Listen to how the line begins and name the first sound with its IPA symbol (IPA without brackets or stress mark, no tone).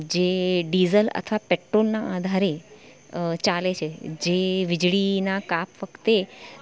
d͡ʒ